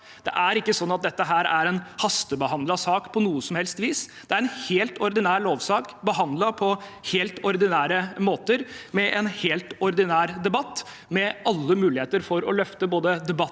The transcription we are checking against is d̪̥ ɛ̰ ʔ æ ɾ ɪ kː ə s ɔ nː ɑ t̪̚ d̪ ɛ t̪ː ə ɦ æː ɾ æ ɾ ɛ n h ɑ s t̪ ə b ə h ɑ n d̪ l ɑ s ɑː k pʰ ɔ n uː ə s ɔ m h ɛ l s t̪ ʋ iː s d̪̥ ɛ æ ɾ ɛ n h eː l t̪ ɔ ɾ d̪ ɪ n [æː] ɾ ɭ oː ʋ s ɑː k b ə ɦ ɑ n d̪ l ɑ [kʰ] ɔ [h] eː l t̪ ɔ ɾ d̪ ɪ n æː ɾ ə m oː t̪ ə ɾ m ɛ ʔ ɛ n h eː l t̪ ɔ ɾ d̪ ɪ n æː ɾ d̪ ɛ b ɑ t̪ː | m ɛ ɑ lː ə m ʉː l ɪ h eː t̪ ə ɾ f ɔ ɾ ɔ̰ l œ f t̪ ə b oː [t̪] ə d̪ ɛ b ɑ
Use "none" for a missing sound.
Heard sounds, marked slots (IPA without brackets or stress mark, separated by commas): æː, pʰ, h, d̪